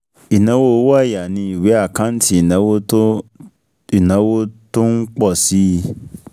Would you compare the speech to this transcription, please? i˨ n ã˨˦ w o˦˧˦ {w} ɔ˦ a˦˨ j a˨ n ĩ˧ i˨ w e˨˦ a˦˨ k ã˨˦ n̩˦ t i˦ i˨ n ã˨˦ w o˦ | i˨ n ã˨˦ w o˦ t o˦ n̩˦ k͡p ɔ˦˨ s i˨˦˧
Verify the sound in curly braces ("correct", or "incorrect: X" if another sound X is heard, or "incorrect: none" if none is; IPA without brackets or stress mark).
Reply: correct